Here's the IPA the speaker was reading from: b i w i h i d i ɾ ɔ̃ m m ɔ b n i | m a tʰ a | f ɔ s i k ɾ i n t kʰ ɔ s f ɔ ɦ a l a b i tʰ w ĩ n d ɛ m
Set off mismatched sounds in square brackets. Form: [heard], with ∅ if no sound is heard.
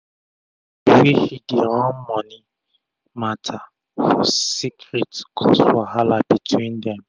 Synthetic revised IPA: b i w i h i d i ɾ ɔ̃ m m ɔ [∅] n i | m a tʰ a | f ɔ s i k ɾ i [∅] t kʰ ɔ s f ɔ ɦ a l a b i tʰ w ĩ n d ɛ m